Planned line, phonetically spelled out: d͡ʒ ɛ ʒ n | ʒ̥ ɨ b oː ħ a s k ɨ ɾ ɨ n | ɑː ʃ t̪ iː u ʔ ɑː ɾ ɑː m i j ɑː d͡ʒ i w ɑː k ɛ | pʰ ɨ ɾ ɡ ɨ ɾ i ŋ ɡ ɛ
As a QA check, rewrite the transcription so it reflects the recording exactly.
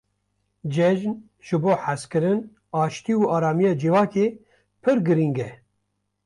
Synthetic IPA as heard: d͡ʒ ɛ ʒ n | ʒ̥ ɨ b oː ħ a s k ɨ ɾ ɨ n | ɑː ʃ t̪ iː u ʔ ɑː ɾ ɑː m i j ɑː d͡ʒ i v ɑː k e | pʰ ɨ ɾ ɡ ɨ ɾ i ŋ ɡ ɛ